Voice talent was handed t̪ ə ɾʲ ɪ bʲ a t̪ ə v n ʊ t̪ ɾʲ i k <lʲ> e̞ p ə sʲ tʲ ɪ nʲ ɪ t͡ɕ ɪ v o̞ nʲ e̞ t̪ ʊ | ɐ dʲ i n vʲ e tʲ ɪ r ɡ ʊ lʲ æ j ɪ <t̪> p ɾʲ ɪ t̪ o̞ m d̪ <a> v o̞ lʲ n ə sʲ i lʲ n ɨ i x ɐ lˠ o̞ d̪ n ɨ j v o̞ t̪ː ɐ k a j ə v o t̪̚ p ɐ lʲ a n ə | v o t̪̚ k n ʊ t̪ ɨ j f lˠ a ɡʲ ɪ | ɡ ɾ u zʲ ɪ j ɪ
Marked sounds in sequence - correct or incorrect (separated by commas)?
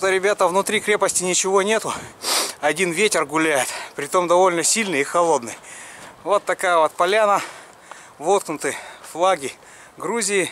incorrect, correct, incorrect